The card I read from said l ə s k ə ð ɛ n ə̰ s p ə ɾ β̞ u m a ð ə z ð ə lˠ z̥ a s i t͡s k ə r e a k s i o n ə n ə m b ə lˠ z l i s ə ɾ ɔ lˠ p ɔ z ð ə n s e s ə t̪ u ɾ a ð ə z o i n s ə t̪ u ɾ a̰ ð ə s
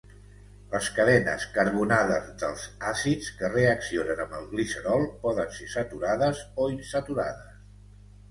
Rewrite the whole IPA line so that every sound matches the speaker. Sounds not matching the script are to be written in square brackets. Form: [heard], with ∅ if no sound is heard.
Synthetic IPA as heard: l ə s k ə ð ɛ n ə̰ s [k] ə ɾ β̞ u [n] a ð ə z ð ə lˠ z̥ a s i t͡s k ə r e [ə] k s i o n ə n ə m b ə lˠ [ɣ] l i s ə ɾ ɔ lˠ p ɔ [∅] ð ə n s e s ə t̪ u ɾ a ð ə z o i n s ə t̪ u ɾ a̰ ð ə s